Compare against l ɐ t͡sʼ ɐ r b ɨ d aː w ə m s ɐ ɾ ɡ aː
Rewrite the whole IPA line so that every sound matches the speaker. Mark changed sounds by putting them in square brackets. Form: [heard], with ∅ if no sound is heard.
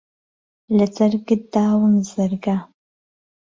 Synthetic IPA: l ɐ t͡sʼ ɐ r [ɡ] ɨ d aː w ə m [z] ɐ [r] ɡ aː